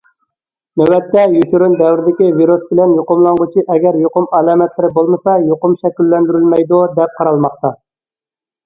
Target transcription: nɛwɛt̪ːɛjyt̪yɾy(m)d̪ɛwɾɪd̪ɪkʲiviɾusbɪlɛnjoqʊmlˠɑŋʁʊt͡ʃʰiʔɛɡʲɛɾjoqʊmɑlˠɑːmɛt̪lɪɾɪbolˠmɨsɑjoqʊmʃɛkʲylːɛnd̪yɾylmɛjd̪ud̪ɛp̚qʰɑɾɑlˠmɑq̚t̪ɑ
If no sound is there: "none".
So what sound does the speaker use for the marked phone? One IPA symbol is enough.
n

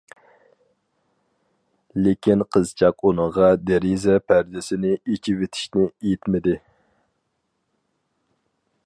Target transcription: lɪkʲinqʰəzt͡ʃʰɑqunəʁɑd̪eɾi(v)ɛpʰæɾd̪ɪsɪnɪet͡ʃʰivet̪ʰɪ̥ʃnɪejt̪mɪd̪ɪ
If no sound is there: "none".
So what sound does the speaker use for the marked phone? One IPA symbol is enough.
z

